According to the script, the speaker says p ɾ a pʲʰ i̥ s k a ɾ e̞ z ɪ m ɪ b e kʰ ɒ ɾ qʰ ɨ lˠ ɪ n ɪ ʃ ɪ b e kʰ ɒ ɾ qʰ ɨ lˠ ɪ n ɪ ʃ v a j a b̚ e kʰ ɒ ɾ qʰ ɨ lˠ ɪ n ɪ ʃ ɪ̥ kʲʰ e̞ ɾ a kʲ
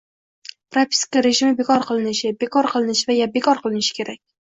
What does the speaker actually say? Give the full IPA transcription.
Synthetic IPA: p ɾ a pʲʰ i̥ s k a ɾ e̞ ʒ ɪ m ɪ b e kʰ ɒ ɾ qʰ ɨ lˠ ɪ n ɪ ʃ ɪ b e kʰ ɒ ɾ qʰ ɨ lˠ ɪ n ɪ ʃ v a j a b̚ e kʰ ɒ ɾ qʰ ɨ lˠ ɪ n ɪ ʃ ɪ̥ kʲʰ e̞ ɾ a kʲ